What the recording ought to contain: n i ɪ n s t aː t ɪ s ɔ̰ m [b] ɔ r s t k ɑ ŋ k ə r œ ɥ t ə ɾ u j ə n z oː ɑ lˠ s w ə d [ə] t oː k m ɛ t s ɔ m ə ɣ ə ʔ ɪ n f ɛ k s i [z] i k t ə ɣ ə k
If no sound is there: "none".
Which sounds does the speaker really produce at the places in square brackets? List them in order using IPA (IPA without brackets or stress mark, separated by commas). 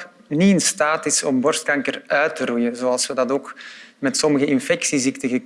b, ɑ, z